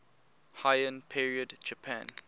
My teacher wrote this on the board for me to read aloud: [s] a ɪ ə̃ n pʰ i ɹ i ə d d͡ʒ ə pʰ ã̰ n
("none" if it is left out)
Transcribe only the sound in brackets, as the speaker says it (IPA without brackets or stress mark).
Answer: h